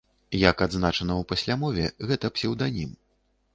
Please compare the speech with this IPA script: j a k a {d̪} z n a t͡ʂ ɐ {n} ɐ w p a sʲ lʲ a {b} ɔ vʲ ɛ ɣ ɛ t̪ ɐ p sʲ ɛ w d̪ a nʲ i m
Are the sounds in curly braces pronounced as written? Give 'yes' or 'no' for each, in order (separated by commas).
yes, yes, no